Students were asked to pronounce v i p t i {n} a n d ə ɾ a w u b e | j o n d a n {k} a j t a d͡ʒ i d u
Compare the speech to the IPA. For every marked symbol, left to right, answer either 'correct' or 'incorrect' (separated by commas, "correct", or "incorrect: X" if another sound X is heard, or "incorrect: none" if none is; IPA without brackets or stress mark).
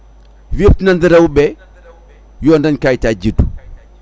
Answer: correct, correct